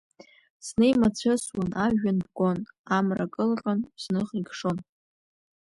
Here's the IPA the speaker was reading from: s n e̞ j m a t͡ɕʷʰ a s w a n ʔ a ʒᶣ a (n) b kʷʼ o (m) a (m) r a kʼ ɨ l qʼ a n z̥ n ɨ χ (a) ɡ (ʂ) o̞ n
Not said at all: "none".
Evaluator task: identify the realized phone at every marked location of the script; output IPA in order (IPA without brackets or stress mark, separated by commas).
n, n, m, i, ʂ